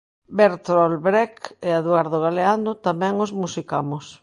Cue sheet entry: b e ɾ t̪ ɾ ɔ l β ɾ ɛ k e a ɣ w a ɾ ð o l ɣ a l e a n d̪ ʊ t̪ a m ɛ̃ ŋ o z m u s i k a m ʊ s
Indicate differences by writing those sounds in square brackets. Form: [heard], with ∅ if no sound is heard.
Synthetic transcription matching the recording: b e ɾ t̪ ɾ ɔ l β ɾ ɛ k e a [ð] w a ɾ ð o [∅] ɣ a l e a n d̪ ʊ t̪ a m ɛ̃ ŋ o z m u s i k a m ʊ s